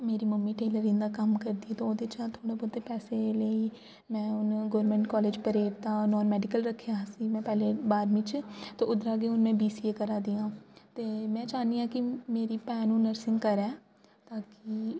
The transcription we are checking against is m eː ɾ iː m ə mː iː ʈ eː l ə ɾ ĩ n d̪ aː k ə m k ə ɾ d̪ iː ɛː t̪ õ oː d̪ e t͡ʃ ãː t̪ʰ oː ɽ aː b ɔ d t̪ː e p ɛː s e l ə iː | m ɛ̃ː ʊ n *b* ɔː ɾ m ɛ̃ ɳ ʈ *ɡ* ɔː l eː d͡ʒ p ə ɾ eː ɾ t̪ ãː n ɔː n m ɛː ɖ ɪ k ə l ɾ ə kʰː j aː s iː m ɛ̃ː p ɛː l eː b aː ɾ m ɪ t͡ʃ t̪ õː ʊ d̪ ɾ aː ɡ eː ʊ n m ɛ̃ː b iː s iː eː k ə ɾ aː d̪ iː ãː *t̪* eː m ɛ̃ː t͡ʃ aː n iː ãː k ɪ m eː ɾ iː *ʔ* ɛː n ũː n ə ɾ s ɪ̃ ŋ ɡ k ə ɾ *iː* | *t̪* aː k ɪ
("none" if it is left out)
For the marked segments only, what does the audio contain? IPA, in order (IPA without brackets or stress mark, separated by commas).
ɡ, k, t̪, p, ɛː, t̪